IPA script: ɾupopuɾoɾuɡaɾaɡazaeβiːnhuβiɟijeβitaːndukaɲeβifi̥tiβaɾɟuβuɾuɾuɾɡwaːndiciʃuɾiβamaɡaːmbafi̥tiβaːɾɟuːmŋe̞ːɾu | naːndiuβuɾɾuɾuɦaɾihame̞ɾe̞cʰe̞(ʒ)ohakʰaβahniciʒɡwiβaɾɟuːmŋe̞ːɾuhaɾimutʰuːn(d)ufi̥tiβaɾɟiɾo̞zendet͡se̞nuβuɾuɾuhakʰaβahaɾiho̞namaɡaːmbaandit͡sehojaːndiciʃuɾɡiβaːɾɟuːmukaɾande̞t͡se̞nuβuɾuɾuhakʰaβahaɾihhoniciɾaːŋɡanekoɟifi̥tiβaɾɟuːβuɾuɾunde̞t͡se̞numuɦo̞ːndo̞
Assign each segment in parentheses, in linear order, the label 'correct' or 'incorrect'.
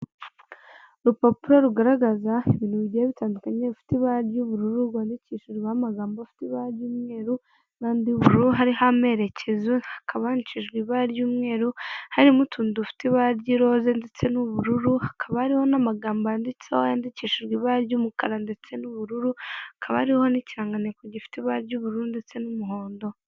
incorrect: z, correct

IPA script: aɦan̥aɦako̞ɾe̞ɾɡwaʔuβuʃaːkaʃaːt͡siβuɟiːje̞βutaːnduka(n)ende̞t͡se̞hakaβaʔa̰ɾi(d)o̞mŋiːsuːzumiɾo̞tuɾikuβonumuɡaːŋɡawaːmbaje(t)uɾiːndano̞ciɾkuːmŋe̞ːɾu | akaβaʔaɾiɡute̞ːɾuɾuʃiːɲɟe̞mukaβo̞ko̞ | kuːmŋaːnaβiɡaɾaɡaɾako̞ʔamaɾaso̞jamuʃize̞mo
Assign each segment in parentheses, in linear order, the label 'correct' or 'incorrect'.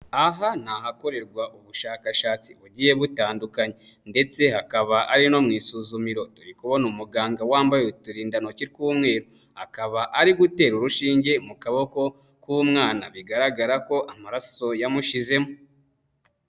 incorrect: ɲ, incorrect: n, correct

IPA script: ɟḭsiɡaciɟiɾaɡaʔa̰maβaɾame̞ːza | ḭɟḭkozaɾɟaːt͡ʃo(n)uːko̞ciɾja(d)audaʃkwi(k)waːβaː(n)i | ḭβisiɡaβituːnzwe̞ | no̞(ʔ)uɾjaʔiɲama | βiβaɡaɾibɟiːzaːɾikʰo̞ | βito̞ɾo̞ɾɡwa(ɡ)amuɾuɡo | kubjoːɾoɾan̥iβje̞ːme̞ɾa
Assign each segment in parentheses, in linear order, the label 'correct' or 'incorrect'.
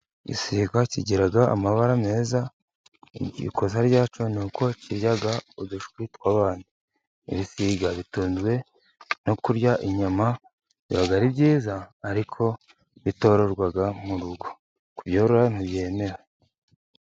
correct, incorrect: ɡ, incorrect: t, correct, incorrect: k, correct

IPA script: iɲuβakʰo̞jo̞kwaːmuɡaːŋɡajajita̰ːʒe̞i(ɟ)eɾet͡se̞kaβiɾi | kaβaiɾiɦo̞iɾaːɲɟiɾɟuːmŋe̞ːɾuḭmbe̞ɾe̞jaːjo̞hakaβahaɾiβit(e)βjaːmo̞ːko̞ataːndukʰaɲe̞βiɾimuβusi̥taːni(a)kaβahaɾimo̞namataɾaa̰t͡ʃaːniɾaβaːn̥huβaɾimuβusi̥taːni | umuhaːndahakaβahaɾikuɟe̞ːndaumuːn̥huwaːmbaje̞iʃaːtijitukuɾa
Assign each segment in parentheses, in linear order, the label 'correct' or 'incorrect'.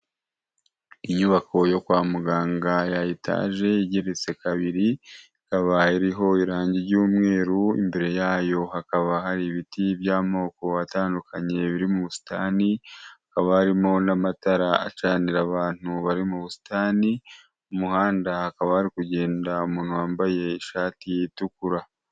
correct, incorrect: i, correct

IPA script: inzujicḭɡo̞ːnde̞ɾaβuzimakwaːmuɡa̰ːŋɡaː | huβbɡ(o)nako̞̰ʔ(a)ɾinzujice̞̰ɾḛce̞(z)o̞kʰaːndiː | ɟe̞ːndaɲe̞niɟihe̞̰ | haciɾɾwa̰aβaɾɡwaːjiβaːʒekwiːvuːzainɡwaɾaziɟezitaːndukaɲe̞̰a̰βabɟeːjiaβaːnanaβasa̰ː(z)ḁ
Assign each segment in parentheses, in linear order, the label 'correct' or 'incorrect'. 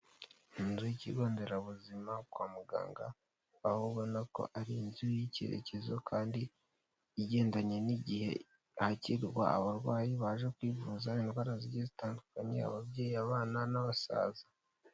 correct, correct, correct, correct

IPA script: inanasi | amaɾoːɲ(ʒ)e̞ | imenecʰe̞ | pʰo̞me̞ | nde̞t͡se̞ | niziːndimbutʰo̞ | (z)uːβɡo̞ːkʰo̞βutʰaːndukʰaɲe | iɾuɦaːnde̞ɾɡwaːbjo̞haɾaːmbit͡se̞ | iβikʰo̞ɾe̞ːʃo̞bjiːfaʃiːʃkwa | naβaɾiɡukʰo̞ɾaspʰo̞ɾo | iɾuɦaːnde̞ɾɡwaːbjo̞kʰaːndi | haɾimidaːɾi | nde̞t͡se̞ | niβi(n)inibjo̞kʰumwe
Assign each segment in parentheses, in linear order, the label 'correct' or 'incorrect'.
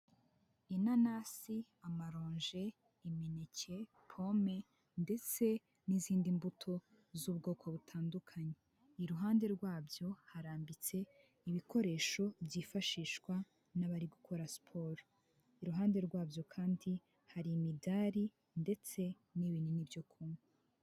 correct, correct, correct

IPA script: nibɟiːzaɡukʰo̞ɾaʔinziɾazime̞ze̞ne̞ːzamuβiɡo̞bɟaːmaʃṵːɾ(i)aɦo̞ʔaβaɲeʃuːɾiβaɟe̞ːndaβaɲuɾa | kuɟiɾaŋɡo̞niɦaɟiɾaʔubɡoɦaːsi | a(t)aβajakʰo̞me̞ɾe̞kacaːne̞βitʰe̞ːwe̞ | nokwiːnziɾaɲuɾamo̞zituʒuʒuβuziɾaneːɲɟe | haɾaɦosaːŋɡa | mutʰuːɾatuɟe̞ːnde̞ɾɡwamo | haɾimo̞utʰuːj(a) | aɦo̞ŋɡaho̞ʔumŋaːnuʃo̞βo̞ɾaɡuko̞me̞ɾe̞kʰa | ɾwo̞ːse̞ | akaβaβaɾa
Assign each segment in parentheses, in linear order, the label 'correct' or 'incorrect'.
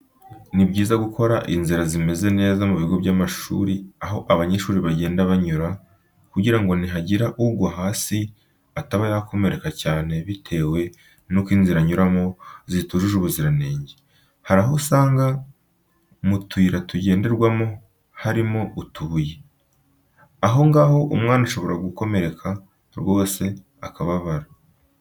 correct, correct, incorrect: e

